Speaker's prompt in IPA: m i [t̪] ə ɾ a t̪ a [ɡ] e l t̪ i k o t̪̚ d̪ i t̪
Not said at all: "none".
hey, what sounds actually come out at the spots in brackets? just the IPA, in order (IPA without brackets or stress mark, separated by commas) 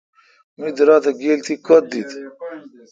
d̪, ɡ